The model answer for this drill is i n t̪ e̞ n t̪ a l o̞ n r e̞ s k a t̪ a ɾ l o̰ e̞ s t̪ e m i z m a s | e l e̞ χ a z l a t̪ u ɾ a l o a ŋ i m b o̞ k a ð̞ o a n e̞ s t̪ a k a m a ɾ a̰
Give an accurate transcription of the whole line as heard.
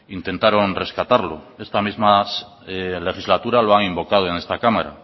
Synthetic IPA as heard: i n t̪ e̞ n t̪ a ɾ o̞ n r e̞ s k a t̪ a ɾ l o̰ e̞ s t̪ a m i z m a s | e l e̞ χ i z l a t̪ u ɾ a l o a ŋ i m b o̞ k a ð̞ o e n e̞ s t̪ a k a m a ɾ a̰